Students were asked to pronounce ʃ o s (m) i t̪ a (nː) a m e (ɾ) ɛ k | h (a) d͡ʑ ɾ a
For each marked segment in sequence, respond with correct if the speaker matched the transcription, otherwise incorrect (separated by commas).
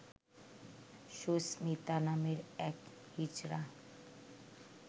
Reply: correct, incorrect, correct, incorrect